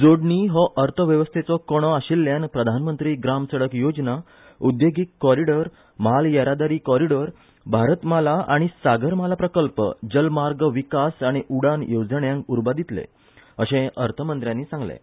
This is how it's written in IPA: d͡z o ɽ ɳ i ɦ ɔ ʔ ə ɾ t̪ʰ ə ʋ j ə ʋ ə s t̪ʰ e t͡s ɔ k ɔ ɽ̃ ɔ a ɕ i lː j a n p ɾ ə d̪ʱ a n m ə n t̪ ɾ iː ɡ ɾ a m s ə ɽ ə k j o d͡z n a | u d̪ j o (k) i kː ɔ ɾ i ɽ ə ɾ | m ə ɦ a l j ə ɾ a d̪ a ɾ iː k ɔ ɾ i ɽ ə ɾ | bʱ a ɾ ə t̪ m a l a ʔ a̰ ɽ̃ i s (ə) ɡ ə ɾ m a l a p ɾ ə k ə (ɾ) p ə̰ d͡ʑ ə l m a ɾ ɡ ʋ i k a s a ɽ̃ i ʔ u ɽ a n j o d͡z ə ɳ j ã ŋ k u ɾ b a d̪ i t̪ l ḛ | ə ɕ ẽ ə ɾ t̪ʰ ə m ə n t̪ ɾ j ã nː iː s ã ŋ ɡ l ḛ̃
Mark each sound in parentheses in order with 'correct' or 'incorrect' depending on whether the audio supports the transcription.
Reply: incorrect, incorrect, incorrect

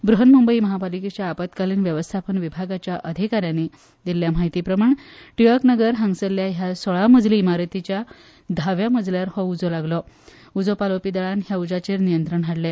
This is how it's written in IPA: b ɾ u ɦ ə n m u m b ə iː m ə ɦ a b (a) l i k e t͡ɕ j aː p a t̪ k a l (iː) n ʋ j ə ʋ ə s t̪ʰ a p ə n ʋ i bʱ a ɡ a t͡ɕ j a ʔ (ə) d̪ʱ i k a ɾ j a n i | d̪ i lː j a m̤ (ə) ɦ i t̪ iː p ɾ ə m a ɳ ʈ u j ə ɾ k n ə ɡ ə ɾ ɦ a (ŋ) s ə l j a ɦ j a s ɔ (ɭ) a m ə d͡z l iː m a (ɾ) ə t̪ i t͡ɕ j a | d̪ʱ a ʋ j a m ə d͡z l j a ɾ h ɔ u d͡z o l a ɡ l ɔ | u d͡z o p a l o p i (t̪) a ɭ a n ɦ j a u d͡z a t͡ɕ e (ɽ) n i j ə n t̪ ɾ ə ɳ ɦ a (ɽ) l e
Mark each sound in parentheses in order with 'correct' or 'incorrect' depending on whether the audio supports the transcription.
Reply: correct, correct, correct, incorrect, correct, correct, correct, incorrect, incorrect, correct

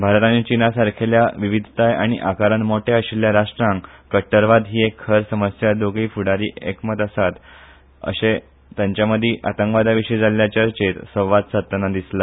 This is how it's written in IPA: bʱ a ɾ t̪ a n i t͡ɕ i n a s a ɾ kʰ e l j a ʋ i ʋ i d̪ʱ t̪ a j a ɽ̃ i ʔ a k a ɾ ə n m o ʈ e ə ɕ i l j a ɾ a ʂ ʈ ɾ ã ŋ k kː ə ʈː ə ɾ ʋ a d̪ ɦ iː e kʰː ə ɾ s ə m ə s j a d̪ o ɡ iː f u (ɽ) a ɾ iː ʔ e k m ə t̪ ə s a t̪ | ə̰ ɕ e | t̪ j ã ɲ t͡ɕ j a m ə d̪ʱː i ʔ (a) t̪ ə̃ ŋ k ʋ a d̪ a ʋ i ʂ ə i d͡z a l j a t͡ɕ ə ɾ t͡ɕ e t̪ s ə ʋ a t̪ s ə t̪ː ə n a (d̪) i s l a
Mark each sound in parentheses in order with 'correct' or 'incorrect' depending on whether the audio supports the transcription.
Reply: correct, correct, correct

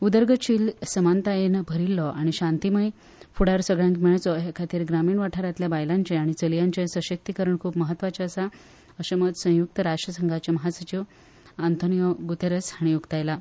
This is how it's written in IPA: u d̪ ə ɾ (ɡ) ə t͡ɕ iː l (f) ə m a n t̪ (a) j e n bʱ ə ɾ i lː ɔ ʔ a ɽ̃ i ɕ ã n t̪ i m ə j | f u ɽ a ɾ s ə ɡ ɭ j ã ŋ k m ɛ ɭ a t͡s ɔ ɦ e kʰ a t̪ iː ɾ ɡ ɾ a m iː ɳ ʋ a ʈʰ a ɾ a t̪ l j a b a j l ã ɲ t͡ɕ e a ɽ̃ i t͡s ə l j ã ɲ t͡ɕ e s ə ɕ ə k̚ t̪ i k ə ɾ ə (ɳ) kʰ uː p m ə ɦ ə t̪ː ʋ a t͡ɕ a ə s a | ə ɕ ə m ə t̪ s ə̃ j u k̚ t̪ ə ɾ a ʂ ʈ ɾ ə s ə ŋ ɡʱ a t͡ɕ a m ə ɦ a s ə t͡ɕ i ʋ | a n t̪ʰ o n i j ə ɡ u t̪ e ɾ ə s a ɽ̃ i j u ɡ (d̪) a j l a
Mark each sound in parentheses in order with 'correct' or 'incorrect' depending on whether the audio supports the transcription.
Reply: correct, incorrect, correct, correct, incorrect

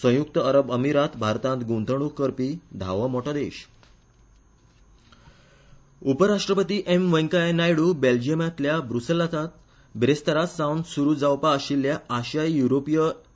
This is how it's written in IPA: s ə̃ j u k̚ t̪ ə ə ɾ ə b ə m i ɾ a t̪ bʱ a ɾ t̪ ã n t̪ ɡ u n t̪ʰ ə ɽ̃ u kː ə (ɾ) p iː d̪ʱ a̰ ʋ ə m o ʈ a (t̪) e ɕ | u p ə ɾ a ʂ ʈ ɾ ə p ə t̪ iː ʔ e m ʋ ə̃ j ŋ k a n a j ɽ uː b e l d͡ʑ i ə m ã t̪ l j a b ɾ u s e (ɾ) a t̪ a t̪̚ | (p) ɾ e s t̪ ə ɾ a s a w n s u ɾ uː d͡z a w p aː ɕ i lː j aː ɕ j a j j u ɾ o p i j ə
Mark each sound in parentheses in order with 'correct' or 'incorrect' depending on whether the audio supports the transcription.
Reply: correct, incorrect, incorrect, incorrect

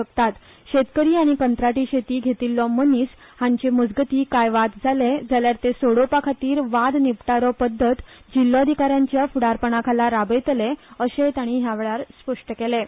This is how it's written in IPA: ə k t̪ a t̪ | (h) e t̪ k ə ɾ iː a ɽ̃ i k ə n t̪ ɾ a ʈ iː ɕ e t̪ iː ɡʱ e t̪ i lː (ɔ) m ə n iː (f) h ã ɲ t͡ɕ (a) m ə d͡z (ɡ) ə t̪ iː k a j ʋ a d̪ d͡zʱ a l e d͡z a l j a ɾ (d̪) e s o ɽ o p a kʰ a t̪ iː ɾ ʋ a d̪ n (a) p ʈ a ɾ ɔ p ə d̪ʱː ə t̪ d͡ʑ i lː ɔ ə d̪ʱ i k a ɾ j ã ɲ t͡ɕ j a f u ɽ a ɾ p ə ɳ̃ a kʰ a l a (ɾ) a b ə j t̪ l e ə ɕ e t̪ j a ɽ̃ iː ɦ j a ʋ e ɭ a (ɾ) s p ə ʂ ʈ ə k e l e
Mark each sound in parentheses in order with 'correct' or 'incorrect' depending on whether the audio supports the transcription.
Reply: incorrect, correct, incorrect, incorrect, correct, incorrect, incorrect, correct, correct

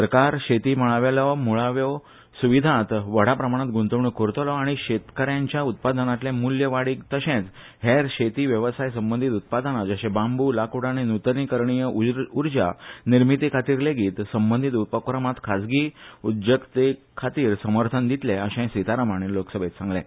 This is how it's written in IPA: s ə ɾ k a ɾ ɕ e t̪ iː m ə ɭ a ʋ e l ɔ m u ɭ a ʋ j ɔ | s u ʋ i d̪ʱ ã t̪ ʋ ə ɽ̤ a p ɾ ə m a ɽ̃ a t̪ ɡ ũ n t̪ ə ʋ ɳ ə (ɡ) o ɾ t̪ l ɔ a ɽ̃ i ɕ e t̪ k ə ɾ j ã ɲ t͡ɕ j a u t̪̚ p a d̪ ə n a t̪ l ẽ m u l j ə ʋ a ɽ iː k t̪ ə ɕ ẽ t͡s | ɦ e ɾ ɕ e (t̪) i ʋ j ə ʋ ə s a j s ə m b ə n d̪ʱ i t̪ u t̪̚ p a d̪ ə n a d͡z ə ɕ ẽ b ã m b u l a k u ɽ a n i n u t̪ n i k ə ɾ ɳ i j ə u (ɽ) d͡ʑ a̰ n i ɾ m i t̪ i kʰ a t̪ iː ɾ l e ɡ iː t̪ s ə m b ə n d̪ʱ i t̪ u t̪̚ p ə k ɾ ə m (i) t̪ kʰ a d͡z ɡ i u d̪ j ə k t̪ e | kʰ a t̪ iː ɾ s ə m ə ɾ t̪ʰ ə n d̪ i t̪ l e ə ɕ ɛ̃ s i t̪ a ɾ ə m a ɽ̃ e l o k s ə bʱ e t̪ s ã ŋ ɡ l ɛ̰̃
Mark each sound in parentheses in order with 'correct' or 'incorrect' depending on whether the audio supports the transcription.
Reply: incorrect, correct, incorrect, incorrect

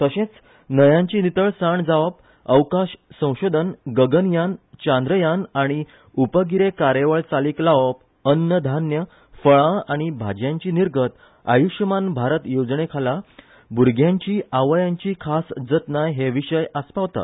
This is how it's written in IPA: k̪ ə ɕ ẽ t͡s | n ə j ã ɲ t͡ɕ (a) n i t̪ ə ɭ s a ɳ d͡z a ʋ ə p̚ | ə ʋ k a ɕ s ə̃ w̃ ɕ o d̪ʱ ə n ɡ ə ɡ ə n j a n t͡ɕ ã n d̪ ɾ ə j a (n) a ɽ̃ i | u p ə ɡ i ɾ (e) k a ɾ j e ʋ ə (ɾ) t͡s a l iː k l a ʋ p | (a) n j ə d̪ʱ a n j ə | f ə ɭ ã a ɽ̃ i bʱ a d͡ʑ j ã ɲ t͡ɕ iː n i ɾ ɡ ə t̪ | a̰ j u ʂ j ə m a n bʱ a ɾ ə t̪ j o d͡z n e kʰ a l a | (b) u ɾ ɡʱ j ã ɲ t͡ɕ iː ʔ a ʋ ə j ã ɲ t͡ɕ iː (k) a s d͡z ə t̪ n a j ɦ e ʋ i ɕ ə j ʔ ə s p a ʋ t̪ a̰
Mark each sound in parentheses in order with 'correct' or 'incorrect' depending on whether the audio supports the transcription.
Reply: incorrect, correct, correct, incorrect, incorrect, correct, incorrect

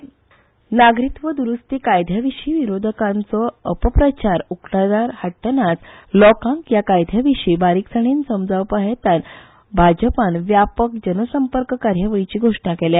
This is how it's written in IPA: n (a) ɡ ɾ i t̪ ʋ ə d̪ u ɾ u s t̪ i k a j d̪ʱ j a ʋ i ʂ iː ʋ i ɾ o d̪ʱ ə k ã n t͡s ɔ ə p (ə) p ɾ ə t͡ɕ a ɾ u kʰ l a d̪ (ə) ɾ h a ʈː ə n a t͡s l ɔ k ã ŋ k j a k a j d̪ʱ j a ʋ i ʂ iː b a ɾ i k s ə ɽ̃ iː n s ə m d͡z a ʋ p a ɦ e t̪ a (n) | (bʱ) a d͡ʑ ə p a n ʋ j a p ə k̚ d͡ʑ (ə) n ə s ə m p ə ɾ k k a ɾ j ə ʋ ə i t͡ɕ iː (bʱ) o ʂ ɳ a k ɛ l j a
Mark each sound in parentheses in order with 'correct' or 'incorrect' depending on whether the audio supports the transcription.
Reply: correct, correct, incorrect, correct, correct, correct, incorrect

